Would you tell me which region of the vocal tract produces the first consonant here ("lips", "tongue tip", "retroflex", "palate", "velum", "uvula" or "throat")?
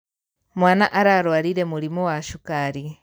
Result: lips